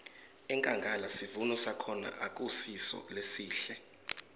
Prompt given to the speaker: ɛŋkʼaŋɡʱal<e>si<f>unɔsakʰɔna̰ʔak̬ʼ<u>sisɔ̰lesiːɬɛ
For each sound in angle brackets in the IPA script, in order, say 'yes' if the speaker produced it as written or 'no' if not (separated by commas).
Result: no, no, yes